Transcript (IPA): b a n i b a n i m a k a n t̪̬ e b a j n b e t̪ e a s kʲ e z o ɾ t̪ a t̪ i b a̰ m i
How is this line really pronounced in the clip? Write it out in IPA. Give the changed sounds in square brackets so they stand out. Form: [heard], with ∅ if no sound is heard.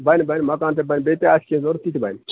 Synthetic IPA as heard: b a n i b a n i m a k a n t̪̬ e b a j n b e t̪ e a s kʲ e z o ɾ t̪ [i] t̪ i b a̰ [n] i